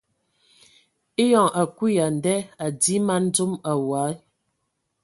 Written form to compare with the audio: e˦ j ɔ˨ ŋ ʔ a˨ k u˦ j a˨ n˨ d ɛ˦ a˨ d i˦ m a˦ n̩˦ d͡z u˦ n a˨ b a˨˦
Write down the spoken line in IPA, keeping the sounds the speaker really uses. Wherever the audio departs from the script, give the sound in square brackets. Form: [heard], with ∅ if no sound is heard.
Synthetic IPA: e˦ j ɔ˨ ŋ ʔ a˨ k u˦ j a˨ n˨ d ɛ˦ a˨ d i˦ m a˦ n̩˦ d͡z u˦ [m] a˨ [w] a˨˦